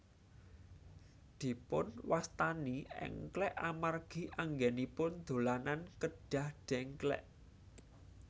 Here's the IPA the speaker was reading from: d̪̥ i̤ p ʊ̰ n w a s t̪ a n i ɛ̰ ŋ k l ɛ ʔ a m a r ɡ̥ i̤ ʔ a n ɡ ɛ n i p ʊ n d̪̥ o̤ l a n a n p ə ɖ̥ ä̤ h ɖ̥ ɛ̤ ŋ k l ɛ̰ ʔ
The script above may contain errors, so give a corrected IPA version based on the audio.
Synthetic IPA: d̪̥ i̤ p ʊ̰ n w a s t̪ a n i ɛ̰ ŋ k l ɛ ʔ a m a r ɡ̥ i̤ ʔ a ŋ ɡ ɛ n i p ʊ n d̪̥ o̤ l a n a n k ə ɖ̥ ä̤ h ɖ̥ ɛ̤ ŋ k l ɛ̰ ʔ